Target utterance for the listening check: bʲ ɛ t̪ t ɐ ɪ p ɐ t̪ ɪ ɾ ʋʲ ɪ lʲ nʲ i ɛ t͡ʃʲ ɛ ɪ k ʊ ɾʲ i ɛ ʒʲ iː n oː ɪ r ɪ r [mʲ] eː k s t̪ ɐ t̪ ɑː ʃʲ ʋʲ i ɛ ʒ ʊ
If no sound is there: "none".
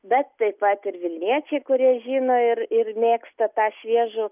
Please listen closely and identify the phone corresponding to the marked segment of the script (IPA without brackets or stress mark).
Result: mʲ